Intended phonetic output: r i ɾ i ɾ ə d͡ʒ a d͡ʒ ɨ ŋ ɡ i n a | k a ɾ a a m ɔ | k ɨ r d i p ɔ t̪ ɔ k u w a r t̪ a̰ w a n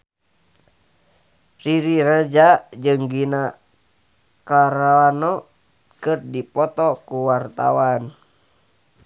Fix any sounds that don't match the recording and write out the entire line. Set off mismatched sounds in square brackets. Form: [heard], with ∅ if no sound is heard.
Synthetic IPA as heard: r i ɾ i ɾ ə d͡ʒ a d͡ʒ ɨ ŋ ɡ i n a | k a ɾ a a [n] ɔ | k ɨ r d i p ɔ t̪ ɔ k u w a r t̪ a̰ w a n